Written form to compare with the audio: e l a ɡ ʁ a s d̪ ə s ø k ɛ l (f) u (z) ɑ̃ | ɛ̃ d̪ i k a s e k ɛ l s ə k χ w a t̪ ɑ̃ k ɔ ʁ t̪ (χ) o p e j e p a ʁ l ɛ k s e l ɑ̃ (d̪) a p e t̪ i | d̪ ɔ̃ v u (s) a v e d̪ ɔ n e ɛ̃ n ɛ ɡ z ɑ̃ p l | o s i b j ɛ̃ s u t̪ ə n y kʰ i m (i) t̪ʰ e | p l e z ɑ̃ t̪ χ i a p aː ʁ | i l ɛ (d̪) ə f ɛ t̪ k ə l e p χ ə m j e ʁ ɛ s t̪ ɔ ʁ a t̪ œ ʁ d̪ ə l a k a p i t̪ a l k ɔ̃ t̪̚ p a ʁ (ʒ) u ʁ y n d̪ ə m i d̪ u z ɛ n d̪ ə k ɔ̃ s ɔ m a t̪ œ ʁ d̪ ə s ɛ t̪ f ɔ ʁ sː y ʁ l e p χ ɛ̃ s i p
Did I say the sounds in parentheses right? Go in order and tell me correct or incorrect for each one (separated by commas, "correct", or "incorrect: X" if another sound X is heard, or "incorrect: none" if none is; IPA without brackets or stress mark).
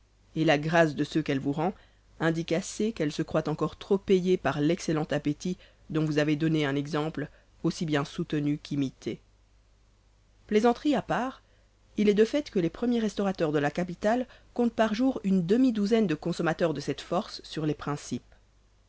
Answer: incorrect: v, incorrect: ʁ, correct, incorrect: t̪, incorrect: z, correct, correct, correct